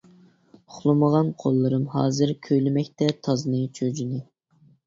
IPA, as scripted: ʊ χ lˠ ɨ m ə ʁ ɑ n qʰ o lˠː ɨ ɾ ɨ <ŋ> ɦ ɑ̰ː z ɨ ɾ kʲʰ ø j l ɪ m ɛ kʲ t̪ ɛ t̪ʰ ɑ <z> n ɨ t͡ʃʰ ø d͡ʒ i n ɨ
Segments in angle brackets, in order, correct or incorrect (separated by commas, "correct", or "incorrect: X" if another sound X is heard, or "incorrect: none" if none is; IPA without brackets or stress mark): incorrect: m, correct